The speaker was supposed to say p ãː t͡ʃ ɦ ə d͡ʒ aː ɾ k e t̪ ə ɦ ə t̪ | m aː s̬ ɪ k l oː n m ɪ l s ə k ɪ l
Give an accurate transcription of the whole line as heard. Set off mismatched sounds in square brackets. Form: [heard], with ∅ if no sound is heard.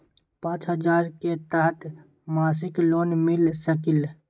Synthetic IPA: p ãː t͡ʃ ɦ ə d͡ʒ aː ɾ k e t̪ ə ɦ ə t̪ | m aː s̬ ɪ k l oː n m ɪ l s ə k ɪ l